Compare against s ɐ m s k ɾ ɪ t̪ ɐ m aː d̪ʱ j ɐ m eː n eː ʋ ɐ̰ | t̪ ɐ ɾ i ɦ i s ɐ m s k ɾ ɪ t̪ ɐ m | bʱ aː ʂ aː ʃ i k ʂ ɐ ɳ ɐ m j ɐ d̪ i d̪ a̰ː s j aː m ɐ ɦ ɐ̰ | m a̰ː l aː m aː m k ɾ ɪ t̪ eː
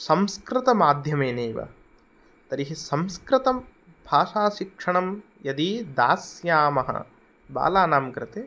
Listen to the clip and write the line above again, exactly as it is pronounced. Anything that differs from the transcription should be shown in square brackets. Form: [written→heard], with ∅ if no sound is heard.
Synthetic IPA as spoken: s ɐ m s k ɾ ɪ t̪ ɐ m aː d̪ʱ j ɐ m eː n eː ʋ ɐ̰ | t̪ ɐ ɾ i ɦ i s ɐ m s k ɾ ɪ t̪ ɐ m | bʱ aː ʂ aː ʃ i k ʂ ɐ ɳ ɐ m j ɐ d̪ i d̪ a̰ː s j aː m ɐ ɦ ɐ̰ | [m→b] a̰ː l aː [m→n] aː m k ɾ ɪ t̪ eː